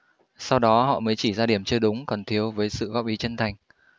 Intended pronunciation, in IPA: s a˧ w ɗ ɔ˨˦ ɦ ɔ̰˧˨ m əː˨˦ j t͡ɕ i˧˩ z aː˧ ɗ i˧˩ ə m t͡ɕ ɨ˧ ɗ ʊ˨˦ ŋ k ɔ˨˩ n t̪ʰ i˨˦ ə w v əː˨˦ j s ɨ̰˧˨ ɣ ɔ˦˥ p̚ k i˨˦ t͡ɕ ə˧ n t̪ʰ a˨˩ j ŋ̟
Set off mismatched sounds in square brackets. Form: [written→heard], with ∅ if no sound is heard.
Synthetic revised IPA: s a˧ w ɗ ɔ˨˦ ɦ ɔ̰˧˨ m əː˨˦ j t͡ɕ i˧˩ z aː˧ ɗ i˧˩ ə m t͡ɕ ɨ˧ ɗ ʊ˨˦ [ŋ→ŋ͡m] k ɔ˨˩ n t̪ʰ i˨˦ ə w v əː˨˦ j s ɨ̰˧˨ ɣ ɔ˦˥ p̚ [k→ʔ] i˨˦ t͡ɕ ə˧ n t̪ʰ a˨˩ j ŋ̟